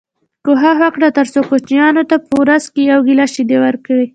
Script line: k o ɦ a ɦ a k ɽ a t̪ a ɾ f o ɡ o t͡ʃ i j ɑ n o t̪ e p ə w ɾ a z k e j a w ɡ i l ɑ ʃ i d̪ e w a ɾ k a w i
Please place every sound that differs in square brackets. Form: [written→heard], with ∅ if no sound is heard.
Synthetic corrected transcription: k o ɦ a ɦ a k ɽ a t̪ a ɾ [f→s] o [ɡ→k] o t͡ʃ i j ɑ n o t̪ [e→a] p ə w ɾ a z k e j a w ɡ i l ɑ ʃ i d̪ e w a ɾ k a w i